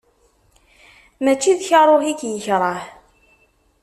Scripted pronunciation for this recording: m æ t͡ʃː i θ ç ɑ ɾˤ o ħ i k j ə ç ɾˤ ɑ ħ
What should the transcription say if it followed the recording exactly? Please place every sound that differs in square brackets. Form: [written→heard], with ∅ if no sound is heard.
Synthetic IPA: m æ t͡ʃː i [θ→ð] ç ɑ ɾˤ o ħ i k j ə ç ɾˤ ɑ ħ